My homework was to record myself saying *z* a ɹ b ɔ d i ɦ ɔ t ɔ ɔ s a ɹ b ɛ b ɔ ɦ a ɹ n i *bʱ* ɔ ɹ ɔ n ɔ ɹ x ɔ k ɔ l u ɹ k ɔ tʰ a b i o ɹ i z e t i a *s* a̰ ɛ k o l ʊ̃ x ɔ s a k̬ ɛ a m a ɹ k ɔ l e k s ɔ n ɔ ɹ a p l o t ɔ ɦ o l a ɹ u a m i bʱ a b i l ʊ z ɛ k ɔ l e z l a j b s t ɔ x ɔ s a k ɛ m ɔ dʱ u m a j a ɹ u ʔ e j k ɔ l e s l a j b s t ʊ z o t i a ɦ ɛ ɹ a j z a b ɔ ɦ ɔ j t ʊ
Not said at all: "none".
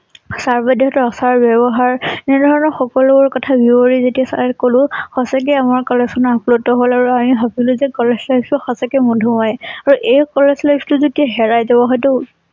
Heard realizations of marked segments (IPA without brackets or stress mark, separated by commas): s, dʱ, s